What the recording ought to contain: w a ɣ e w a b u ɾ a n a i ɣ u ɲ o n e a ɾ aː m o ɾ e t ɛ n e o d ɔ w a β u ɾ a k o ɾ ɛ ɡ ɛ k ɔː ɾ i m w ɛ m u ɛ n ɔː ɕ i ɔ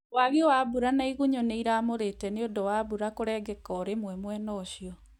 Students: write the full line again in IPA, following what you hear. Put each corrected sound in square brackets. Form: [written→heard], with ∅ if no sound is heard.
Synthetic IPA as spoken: w a ɣ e w a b u ɾ a n a i ɣ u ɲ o n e [a→i] ɾ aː m o ɾ e t ɛ n e o d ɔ w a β u ɾ a k o ɾ ɛ ɡ ɛ k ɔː ɾ [i→e] m w ɛ m [u→w] ɛ n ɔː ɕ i ɔ